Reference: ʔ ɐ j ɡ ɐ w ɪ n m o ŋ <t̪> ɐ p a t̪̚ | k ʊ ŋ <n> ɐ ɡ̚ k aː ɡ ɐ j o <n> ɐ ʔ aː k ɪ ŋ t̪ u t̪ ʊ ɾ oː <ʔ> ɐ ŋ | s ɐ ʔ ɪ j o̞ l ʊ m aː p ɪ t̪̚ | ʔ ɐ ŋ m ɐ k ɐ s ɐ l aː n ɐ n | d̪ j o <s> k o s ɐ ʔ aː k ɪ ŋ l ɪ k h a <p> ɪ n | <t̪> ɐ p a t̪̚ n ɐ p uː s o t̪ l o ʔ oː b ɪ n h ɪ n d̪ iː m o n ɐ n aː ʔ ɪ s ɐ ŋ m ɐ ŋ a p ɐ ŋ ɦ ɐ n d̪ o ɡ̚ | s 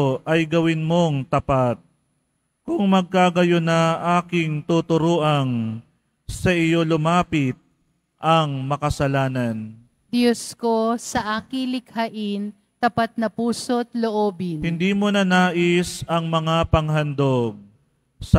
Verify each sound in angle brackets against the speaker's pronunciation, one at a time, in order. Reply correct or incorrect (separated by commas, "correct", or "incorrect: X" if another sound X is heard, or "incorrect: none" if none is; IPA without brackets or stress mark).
correct, incorrect: m, correct, correct, correct, incorrect: ʔ, correct